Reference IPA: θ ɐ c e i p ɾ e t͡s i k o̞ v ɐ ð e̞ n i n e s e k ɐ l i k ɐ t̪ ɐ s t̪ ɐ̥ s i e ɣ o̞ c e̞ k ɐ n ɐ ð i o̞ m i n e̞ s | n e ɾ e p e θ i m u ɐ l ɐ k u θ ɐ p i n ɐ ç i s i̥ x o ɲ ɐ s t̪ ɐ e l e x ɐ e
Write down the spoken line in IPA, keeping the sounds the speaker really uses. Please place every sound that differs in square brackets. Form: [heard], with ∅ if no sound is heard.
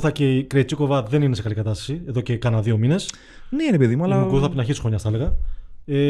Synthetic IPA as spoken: θ ɐ c e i [k] ɾ e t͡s i k o̞ v ɐ ð e̞ n i n e s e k ɐ l i k ɐ t̪ ɐ s t̪ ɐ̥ s i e [ð] o̞ c e̞ k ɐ n ɐ ð i o̞ m i n e̞ s | n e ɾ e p e [ð] i m u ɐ l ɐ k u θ ɐ p i n ɐ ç i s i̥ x o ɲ ɐ s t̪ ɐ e l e [ɣ] ɐ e